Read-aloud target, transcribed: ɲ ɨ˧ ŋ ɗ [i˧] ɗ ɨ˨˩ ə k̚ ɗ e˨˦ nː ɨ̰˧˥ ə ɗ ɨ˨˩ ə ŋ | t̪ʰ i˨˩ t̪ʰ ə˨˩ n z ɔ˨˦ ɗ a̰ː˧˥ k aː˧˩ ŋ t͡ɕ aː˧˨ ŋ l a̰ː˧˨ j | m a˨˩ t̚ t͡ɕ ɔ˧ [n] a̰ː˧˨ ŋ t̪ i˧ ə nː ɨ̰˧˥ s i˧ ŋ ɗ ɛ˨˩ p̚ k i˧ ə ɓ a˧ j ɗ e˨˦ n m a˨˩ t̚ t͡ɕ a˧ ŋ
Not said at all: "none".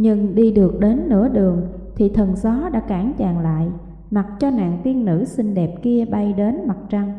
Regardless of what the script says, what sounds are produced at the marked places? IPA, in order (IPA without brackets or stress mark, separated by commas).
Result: i˧, n